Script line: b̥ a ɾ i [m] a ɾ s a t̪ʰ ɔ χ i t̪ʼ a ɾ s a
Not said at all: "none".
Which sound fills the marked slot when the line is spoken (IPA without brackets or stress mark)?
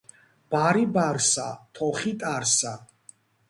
b